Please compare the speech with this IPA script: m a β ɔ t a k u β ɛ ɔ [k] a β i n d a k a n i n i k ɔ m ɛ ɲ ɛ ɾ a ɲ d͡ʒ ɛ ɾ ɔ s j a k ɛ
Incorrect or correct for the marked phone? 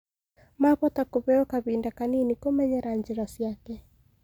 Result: correct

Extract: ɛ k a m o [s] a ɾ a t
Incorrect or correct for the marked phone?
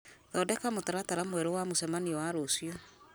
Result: incorrect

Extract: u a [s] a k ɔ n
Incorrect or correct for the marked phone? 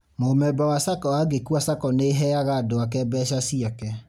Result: correct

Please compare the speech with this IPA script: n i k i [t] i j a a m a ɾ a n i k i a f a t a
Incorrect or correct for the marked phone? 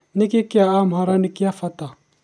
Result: incorrect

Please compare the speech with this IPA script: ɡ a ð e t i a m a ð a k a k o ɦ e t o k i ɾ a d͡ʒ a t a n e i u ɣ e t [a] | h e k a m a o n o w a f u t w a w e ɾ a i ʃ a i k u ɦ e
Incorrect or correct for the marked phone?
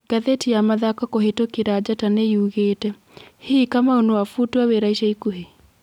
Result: incorrect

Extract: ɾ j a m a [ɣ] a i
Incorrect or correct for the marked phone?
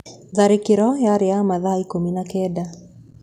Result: incorrect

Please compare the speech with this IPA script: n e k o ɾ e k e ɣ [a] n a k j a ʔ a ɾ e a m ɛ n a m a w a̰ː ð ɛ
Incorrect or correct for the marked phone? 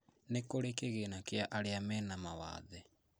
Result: incorrect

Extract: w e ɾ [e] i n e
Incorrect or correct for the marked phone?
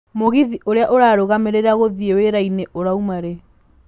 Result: incorrect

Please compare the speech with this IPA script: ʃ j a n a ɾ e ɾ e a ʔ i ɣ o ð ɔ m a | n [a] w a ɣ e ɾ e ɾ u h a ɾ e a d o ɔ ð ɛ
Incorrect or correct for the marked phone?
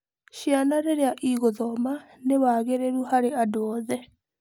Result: incorrect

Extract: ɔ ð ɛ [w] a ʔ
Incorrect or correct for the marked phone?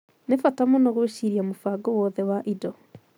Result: correct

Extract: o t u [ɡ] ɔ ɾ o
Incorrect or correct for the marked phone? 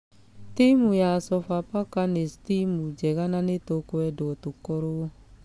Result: incorrect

